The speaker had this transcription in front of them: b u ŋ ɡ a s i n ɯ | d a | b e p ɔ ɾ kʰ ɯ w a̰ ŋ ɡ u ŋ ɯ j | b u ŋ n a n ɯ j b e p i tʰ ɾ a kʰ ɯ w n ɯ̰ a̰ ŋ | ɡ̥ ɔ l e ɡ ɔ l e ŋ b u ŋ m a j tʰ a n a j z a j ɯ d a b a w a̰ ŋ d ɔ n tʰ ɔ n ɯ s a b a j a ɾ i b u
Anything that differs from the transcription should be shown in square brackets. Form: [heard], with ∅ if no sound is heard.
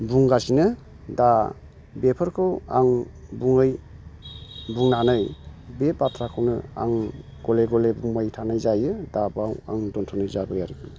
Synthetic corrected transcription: b u ŋ ɡ a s i n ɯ | d a | b e [pʰ] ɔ ɾ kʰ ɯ w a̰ ŋ [b] u ŋ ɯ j | b u ŋ n a n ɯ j b e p [a] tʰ ɾ a kʰ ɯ w n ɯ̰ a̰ ŋ | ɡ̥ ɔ l e ɡ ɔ l e [∅] b u ŋ m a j tʰ a n a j z a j ɯ d a b a w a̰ ŋ d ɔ n tʰ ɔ n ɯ [z] a b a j a ɾ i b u